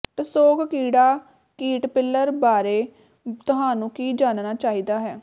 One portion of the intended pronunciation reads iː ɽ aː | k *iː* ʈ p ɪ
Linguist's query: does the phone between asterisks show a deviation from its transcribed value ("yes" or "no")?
no